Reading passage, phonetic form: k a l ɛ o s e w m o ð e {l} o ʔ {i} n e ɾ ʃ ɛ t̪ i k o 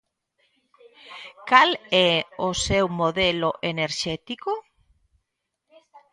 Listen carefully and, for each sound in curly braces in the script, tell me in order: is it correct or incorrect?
correct, incorrect: e

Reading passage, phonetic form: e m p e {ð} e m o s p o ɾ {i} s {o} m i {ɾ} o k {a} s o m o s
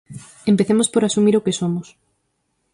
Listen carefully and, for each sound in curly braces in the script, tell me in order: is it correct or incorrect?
incorrect: θ, incorrect: a, incorrect: u, correct, incorrect: e

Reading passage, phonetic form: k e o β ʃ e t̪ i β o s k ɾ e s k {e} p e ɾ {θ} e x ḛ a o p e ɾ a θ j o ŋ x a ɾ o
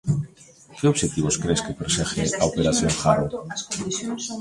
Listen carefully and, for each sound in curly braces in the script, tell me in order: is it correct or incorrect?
correct, incorrect: s

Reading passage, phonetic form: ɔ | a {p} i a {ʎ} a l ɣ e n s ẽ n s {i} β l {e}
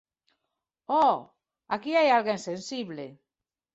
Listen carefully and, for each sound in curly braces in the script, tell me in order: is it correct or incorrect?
incorrect: k, incorrect: j, correct, correct

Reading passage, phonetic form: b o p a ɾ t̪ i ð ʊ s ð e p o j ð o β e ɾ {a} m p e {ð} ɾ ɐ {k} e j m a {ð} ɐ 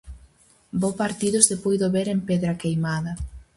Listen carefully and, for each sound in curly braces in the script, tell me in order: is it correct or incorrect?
incorrect: e, correct, correct, correct

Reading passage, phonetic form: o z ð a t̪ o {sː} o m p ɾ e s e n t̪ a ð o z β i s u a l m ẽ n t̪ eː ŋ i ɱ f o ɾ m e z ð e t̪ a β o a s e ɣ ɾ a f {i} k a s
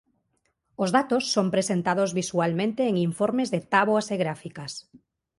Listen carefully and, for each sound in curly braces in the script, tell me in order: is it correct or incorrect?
correct, correct

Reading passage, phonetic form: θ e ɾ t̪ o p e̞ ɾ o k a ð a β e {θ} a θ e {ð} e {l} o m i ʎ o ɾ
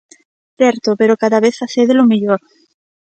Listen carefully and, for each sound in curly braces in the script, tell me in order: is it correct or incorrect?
correct, correct, correct

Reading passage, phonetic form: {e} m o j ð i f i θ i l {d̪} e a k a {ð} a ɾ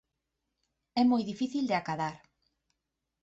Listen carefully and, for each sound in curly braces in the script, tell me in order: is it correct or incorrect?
incorrect: ɛ, correct, correct

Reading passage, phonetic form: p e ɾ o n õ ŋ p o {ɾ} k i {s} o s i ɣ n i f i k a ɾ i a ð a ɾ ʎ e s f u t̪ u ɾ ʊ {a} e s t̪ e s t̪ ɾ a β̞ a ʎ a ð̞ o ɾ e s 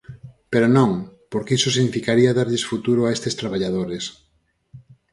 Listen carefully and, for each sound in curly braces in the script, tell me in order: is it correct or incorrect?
correct, correct, correct

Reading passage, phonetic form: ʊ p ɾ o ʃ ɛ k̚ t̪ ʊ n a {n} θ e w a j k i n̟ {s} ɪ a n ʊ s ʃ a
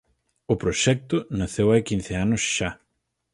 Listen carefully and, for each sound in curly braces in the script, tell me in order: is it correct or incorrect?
incorrect: none, incorrect: θ

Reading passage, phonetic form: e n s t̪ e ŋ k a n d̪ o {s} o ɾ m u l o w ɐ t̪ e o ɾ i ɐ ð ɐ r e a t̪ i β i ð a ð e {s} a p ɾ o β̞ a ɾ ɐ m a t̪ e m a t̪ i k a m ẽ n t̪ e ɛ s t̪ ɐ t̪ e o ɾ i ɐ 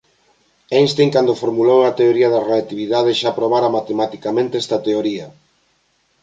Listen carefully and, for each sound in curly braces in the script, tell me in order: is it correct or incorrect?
incorrect: f, incorrect: ʃ

